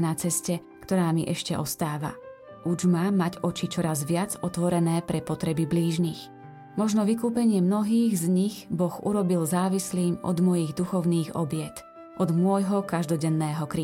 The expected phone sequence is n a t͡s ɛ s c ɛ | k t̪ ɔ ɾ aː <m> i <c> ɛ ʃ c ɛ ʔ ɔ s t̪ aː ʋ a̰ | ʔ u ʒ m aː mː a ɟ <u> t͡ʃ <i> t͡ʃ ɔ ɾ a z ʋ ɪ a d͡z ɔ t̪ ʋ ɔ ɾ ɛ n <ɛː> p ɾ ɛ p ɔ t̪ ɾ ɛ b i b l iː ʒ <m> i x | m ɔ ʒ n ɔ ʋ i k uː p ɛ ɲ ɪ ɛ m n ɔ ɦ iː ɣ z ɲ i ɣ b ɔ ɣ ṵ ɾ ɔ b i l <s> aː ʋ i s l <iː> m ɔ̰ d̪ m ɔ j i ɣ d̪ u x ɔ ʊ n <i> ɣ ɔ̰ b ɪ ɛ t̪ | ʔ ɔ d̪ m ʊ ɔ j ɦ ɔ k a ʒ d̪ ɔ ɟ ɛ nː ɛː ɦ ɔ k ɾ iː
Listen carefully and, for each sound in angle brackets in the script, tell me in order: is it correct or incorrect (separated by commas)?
correct, incorrect, incorrect, correct, correct, incorrect, incorrect, correct, incorrect